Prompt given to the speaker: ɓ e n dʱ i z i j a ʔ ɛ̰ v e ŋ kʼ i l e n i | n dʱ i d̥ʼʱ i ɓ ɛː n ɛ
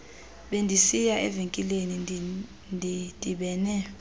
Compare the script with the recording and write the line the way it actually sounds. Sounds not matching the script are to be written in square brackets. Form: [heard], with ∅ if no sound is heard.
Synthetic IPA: ɓ e n dʱ i [s] i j a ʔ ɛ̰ v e ŋ kʼ i l e n i | n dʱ i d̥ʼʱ i ɓ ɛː n ɛ